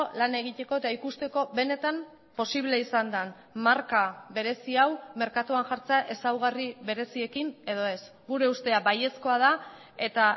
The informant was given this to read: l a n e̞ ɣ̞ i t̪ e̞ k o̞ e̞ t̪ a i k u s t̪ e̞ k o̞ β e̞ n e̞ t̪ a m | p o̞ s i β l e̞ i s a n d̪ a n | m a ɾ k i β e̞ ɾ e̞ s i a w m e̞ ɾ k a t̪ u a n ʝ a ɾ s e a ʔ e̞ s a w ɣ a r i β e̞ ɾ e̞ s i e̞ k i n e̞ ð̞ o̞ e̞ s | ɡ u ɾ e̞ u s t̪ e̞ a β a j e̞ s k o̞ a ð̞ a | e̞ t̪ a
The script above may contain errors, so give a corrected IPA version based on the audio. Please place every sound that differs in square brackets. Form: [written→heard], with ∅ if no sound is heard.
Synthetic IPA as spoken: l a n e̞ ɣ̞ i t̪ e̞ k o̞ e̞ t̪ a i k u s t̪ e̞ k o̞ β e̞ n e̞ t̪ a m | p o̞ s i β l e̞ i s a n d̪ a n | m a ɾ k [i→a] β e̞ ɾ e̞ s i a w m e̞ ɾ k a t̪ u a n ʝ a ɾ [s→t͡s] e a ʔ e̞ s a w ɣ a r i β e̞ ɾ e̞ s i e̞ k i n e̞ ð̞ o̞ e̞ s | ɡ u ɾ e̞ u s t̪ e̞ a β a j e̞ s k o̞ a ð̞ a | e̞ t̪ a